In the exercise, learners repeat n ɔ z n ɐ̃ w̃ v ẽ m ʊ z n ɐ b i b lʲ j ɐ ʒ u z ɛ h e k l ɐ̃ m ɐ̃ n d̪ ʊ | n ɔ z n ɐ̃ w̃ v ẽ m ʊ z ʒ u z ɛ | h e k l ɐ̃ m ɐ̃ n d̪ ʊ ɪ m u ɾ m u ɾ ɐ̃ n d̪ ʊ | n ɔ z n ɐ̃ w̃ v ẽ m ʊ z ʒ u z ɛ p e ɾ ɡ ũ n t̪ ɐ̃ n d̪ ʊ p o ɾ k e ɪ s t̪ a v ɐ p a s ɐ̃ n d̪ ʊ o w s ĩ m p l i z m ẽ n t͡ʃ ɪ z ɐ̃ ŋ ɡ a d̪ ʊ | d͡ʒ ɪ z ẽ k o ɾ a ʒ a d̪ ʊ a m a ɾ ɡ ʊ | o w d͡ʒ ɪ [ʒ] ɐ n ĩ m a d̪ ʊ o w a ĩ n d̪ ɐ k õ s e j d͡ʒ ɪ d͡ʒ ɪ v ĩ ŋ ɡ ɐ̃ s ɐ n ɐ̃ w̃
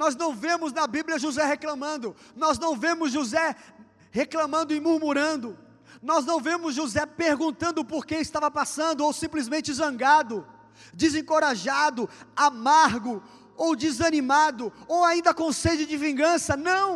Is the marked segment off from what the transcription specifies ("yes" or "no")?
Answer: yes